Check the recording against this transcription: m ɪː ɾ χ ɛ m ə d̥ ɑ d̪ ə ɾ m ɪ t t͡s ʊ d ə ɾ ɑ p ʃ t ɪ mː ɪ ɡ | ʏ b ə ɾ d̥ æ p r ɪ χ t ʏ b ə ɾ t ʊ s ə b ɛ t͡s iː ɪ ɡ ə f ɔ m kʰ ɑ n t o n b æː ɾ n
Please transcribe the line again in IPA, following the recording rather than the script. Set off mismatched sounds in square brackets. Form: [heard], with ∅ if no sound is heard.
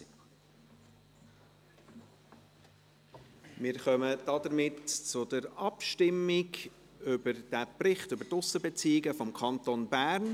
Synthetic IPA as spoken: m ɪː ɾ χ [œ] m ə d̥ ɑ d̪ ə ɾ m ɪ t t͡s ʊ d ə ɾ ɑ p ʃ t ɪ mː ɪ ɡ | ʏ b ə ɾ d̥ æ p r ɪ χ t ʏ b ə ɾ t ʊ s ə b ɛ t͡s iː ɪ ɡ ə f ɔ m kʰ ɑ n t o n b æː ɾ n